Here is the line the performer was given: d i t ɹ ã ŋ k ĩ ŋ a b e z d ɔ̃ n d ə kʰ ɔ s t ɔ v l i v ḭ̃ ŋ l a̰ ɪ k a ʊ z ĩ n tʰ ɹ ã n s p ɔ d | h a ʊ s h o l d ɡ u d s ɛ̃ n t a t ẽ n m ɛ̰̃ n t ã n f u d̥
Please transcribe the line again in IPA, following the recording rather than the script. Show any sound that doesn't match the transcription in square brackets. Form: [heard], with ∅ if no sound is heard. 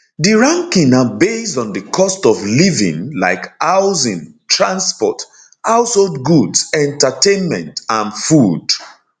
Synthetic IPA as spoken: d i [∅] ɹ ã ŋ k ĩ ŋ a b e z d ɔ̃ n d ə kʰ ɔ s t ɔ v l i v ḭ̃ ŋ l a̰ ɪ k a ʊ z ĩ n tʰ ɹ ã n s p ɔ [t] | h a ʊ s h o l d ɡ u d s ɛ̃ n t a t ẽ n m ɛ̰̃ n t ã n f u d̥

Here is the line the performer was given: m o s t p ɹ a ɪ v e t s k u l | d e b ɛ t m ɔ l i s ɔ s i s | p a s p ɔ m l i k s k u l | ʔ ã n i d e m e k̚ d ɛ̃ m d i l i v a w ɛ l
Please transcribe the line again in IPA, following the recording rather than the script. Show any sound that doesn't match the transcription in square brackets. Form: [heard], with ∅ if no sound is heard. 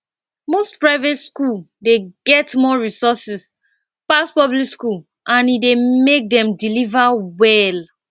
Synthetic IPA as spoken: m o s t p ɹ a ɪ v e t s k u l | d e [ɡ] ɛ t m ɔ [ɹ] i s ɔ s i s | p a s p ɔ [b] l i k s k u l | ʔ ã n i d e m e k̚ d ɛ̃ m d i l i v a w ɛ l

